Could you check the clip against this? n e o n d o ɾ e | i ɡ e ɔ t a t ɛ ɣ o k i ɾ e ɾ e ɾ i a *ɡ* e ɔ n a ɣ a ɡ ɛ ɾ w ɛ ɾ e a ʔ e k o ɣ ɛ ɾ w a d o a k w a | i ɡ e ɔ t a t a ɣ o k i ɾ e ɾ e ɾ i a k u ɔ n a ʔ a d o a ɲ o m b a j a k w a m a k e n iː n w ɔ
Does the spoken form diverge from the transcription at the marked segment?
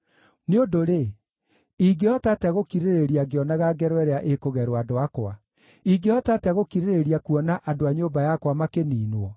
no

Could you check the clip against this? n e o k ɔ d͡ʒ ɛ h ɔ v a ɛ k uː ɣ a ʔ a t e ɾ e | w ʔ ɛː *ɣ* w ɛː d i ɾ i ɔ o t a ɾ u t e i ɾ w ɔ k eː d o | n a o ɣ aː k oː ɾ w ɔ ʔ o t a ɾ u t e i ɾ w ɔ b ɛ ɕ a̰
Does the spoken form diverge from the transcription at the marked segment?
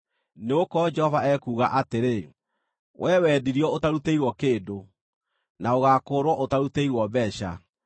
yes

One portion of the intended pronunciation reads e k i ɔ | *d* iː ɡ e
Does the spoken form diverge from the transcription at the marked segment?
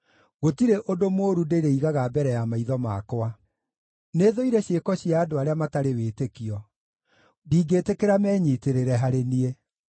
no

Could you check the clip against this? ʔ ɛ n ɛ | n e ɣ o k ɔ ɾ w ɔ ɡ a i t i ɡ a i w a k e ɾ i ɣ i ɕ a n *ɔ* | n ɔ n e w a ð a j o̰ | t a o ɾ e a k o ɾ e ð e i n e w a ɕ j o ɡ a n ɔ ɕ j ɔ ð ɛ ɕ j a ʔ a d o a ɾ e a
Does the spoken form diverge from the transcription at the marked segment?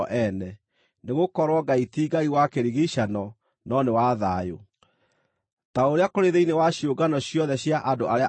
no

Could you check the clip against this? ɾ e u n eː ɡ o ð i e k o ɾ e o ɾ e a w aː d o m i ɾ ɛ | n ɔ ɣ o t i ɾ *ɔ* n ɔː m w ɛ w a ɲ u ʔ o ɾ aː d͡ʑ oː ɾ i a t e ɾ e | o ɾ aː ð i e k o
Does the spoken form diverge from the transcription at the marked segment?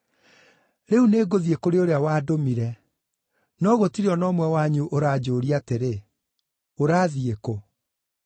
no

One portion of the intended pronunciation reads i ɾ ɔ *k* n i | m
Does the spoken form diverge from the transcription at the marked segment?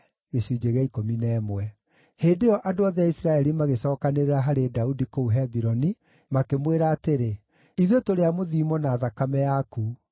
yes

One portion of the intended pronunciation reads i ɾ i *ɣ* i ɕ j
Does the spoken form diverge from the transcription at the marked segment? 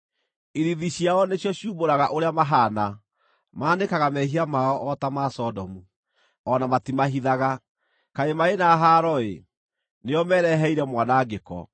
yes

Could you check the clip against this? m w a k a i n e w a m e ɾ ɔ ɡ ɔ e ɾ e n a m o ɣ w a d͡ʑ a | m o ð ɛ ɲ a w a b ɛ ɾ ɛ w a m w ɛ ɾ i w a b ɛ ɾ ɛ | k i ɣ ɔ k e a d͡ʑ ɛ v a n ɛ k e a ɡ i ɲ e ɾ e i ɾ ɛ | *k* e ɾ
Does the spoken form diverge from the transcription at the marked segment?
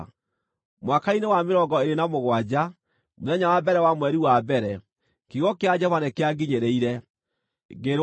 yes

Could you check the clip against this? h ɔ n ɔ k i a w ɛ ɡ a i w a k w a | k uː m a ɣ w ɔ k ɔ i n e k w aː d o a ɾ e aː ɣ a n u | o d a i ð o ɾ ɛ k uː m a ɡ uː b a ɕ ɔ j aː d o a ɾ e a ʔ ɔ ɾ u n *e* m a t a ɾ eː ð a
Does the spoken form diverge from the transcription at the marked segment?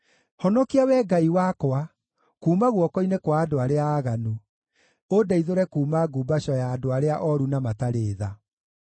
yes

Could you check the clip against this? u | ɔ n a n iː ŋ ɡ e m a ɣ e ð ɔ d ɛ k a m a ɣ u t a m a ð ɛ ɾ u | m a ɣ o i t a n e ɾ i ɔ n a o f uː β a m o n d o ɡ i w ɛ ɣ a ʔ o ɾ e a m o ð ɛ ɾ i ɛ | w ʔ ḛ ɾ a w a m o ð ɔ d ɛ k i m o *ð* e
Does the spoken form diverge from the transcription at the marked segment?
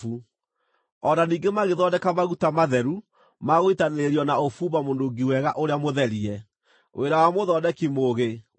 yes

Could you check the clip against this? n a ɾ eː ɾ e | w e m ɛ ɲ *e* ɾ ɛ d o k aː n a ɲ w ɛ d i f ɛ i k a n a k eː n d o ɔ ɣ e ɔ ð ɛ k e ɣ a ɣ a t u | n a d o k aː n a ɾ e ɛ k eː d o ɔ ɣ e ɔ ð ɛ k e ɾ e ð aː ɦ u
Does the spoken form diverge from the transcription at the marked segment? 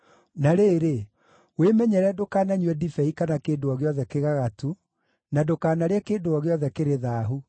yes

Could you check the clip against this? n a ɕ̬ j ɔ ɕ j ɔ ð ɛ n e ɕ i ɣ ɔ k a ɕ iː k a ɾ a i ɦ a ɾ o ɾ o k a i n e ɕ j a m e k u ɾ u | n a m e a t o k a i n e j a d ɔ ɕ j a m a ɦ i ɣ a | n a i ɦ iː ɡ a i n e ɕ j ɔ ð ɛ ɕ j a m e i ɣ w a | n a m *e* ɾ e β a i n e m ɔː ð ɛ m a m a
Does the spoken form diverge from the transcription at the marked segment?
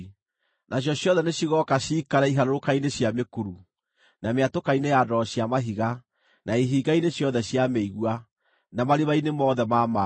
yes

